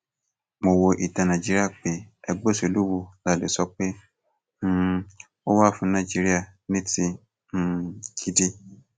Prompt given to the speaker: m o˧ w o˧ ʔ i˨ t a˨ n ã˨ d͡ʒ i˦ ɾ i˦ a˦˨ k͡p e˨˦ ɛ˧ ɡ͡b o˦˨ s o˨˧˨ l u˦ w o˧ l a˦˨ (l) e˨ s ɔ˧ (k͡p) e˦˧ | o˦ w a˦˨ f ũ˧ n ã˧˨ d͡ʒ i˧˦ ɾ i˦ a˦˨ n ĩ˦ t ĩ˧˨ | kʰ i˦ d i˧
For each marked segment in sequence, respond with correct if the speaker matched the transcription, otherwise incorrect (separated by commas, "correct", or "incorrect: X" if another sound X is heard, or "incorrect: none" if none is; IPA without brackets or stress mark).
correct, correct